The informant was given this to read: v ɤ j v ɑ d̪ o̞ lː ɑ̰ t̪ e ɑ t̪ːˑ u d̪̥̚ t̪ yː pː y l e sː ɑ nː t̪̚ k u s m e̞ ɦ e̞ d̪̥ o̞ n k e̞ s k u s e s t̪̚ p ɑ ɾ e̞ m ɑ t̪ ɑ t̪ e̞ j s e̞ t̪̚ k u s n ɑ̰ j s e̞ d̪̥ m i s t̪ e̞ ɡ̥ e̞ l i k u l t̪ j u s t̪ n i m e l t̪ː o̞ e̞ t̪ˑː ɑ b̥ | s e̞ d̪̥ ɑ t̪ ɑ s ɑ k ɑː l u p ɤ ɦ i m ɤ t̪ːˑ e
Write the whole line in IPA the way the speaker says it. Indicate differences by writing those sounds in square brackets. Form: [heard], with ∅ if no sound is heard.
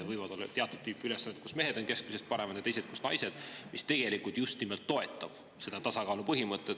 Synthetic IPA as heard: v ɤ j v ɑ d̪ o̞ lː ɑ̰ t̪ e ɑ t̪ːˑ u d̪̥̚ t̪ yː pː y l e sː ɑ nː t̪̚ k u s m e̞ ɦ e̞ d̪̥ o̞ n k e̞ s k u s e s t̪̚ p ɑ ɾ e̞ m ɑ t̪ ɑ t̪ e̞ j s e̞ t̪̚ k u s n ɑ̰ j s e̞ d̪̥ m i s t̪ e̞ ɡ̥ e̞ l i k u l t̪ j u s t̪ n i m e l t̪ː o̞ e̞ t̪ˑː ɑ b̥ | s e̞ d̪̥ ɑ t̪ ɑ s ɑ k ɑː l u p ɤ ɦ i m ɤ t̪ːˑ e

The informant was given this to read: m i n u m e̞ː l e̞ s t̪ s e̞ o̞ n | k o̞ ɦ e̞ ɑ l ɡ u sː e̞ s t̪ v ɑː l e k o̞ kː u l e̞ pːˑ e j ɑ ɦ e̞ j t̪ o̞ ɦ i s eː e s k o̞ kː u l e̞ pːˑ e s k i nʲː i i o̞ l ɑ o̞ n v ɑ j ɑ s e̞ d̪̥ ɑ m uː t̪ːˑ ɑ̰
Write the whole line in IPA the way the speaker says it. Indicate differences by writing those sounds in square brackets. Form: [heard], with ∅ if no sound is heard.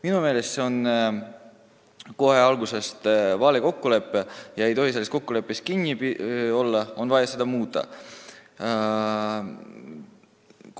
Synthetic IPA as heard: m i n u m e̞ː l e̞ s t̪ s e̞ o̞ n | k o̞ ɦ e̞ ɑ l ɡ u [s] e̞ s t̪ v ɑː l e k o̞ kː u l e̞ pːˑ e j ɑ [∅] e̞ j t̪ o̞ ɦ i s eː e s k o̞ kː u l e̞ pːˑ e s k i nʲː i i o̞ [lː] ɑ o̞ n v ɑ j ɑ s e̞ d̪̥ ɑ m uː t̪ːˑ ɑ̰

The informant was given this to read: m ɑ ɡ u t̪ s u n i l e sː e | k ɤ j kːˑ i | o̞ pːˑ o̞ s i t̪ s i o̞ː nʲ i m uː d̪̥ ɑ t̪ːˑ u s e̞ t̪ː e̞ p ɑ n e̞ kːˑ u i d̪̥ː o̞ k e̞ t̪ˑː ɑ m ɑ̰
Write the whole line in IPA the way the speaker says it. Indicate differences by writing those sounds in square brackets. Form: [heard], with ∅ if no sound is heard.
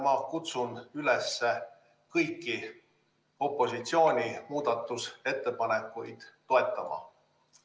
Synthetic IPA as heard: m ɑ [k] u t̪ s u n [y] l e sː e | k ɤ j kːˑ i | o̞ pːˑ o̞ s i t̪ s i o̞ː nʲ i m uː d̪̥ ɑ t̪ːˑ u s e̞ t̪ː e̞ p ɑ n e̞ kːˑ u [j] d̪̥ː o̞ [∅] e̞ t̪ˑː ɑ m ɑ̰

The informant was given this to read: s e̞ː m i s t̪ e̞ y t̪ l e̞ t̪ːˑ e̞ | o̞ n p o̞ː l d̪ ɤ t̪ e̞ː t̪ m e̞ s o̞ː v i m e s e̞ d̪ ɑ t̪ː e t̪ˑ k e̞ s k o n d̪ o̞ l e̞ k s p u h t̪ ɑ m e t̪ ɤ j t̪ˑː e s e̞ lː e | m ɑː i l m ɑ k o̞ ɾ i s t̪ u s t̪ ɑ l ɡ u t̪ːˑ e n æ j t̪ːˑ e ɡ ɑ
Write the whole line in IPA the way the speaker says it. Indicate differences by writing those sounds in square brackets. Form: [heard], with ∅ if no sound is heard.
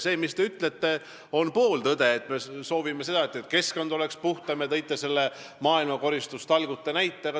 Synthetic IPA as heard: s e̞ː m i s t̪ e̞ y t̪ l e̞ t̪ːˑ e̞ | o̞ n p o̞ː l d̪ ɤ [d̪] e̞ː t̪ m e̞ s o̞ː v i m e s e̞ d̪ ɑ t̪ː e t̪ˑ k e̞ s k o n d̪ o̞ l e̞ k s p u h t̪ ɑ m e t̪ ɤ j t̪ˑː e s e̞ lː e | m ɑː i l m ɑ k o̞ ɾ i s t̪ u s t̪ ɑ l ɡ u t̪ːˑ e n æ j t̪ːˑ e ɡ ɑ

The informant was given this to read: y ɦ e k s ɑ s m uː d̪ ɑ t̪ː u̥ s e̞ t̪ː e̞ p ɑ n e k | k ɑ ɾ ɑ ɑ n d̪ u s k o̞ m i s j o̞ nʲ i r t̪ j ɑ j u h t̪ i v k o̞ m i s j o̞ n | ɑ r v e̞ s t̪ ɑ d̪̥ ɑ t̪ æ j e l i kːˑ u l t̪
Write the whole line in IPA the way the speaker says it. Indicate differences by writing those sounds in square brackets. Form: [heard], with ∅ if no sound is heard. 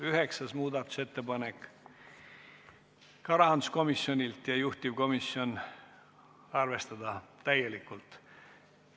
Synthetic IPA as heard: y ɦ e k s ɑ s m uː d̪ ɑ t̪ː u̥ s e̞ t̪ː e̞ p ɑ n e k | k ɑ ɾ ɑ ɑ n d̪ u s k o̞ m i s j o̞ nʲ i [l] t̪ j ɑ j u h t̪ i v k o̞ m i s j o̞ n | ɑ r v e̞ s t̪ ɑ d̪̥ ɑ t̪ æ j e l i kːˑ u l t̪

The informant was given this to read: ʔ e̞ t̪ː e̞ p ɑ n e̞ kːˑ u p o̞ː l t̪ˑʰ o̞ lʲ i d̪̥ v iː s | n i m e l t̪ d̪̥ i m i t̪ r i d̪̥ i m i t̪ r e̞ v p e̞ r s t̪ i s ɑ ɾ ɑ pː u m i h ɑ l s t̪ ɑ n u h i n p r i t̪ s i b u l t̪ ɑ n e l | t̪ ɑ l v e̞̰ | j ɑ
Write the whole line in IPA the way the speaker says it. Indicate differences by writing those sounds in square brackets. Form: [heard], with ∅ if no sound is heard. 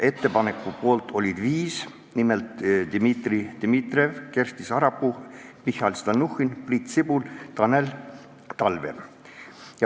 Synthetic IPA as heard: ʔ e̞ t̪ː e̞ p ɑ n e̞ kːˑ u p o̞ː l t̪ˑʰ o̞ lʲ i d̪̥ v iː s | n i m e l t̪ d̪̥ i m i t̪ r i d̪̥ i m i t̪ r e̞ v [k] e̞ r s t̪ i s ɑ ɾ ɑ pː u m i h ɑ l s t̪ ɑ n u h i n p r i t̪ s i b u l t̪ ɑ n e l | t̪ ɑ l v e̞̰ | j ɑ

